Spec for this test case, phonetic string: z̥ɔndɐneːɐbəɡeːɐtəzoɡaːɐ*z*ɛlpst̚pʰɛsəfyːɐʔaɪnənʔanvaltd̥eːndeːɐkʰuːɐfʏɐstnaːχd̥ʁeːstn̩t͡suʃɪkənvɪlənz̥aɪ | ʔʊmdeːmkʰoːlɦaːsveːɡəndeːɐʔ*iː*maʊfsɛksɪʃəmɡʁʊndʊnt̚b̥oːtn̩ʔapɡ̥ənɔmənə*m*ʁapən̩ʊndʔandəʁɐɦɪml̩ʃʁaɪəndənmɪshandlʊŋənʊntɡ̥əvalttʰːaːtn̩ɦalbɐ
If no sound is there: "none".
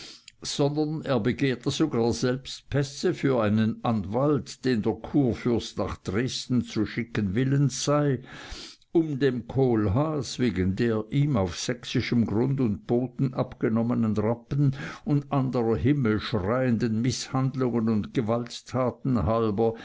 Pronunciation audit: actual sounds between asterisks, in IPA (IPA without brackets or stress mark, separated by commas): z, iː, n